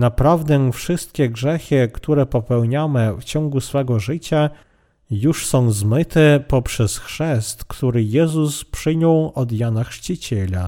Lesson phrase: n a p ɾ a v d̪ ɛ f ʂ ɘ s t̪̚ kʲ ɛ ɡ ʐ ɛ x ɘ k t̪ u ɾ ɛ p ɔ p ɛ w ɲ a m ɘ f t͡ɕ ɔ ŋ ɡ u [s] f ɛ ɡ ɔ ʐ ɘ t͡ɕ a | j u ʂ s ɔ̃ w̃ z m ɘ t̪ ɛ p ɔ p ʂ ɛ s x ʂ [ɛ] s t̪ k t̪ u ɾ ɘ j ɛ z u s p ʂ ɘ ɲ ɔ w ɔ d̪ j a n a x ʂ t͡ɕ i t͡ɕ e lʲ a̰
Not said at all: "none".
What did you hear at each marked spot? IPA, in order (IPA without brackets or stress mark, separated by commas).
s, ɛ